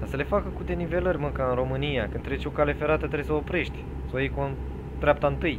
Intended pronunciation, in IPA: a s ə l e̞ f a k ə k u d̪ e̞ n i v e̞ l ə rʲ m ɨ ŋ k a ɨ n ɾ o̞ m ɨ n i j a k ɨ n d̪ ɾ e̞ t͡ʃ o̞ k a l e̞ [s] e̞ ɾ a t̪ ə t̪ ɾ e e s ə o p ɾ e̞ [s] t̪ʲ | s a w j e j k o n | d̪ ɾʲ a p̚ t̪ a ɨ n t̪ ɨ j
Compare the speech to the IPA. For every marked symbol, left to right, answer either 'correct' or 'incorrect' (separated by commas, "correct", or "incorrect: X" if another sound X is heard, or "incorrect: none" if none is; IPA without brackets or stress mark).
incorrect: f, incorrect: ʃ